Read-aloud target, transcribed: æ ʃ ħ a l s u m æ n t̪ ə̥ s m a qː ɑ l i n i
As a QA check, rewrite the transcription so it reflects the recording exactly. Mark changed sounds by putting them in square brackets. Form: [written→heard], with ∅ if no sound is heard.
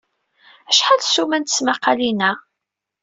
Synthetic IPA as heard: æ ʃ ħ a l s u m æ n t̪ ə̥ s m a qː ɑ l i n [i→æ]